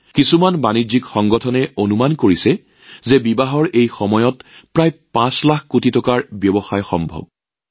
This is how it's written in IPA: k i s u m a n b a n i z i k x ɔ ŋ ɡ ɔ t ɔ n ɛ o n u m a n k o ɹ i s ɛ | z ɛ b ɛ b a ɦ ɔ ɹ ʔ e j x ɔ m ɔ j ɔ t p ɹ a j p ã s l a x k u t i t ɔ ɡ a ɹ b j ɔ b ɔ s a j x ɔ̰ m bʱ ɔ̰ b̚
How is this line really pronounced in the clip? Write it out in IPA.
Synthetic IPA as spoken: k i s u m a n b a n i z i k x ɔ ŋ ɡ ɔ tʰ ɔ n ɛ o n u m a n k o ɹ i s ɛ | z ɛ b i b a ɦ ɔ ɹ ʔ e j x ɔ m ɔ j ɔ t p ɹ a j p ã s l a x k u t i t ɔ k a ɹ b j ɔ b ɔ x a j x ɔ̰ m bʱ ɔ̰ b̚